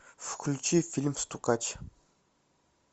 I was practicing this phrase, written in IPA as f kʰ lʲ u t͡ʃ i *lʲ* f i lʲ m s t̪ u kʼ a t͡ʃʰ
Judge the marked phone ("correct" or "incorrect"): incorrect